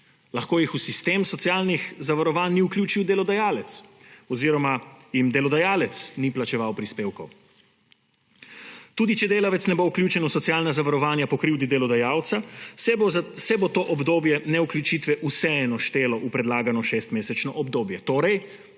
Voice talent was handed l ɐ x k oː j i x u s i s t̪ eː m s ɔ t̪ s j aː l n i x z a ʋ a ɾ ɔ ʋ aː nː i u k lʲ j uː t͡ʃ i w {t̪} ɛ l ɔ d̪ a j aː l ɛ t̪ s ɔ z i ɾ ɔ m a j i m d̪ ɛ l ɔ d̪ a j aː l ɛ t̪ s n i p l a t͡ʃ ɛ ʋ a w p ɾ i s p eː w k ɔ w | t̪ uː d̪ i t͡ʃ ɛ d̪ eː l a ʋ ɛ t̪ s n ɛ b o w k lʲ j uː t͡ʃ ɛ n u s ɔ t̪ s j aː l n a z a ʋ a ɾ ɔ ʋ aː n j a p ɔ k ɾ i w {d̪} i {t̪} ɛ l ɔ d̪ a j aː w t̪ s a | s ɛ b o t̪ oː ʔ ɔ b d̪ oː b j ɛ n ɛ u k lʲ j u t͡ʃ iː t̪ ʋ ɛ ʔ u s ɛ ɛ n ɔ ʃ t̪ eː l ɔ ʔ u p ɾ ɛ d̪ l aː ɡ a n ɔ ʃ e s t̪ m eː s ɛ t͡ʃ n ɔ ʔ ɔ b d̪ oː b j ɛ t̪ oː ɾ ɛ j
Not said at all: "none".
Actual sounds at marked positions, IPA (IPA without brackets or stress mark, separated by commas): d̪, d̪, d̪